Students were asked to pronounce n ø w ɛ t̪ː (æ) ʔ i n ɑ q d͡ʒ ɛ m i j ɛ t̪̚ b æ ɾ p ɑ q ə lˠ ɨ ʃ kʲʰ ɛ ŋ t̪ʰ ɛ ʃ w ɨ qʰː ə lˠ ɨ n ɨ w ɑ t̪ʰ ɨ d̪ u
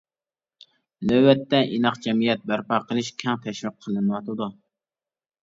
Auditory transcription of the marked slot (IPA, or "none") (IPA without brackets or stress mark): ɛ